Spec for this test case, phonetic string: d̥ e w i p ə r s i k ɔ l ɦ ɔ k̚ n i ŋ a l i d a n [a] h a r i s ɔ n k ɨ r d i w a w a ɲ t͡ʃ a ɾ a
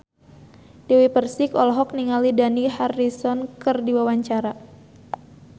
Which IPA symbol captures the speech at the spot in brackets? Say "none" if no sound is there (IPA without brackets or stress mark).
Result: i